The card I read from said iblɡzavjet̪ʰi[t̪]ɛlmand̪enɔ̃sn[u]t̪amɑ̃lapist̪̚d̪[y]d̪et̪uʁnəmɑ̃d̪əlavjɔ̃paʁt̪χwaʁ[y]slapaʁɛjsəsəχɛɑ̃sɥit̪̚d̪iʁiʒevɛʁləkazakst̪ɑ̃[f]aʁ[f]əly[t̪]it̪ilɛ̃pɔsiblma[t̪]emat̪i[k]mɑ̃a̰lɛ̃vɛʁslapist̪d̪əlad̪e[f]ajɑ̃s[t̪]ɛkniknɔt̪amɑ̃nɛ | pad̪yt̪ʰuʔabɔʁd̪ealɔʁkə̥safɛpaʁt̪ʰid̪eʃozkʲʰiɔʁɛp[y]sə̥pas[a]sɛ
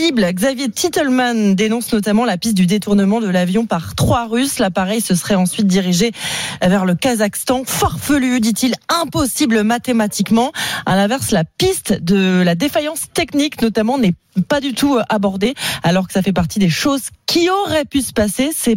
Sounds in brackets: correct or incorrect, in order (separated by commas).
correct, incorrect, correct, correct, correct, correct, incorrect, correct, correct, correct, correct, correct, incorrect